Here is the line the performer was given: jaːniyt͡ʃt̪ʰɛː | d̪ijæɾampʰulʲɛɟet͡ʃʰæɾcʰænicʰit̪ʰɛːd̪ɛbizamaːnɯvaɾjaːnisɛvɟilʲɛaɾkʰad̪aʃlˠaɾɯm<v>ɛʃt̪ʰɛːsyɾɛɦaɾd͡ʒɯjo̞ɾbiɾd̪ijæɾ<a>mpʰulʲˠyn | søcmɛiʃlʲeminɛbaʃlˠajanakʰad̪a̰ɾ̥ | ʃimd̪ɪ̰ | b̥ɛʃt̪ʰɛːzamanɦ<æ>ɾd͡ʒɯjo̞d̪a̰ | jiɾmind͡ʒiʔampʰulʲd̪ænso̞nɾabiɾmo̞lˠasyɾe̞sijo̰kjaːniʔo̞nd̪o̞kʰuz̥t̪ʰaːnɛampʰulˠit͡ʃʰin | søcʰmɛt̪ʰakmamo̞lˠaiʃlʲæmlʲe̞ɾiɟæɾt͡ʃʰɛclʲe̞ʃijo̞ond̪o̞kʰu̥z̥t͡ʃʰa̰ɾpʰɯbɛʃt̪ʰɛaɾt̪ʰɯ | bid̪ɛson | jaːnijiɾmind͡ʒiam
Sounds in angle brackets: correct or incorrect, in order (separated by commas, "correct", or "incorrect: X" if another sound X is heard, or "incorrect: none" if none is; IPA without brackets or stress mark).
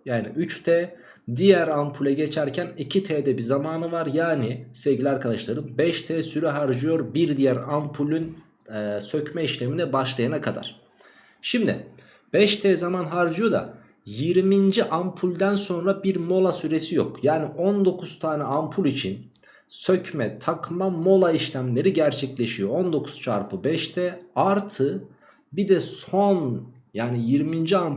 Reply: incorrect: b, correct, incorrect: a